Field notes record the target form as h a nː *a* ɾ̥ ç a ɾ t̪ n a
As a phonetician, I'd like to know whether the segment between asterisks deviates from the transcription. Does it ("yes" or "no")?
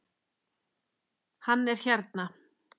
yes